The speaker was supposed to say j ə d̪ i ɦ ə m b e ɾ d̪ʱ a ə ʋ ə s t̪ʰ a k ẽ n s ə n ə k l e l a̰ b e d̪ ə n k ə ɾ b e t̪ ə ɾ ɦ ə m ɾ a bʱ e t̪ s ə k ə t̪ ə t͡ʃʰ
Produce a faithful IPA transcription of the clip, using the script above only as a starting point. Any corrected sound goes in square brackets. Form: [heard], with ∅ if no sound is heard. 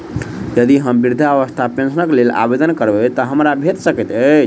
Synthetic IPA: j ə d̪ i ɦ ə m b [i] ɾ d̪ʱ a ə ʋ ə s t̪ʰ a [p] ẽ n s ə n ə k l e l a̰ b e d̪ ə n k ə ɾ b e t̪ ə [∅] ɦ ə m ɾ a bʱ e t̪ s ə k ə t̪ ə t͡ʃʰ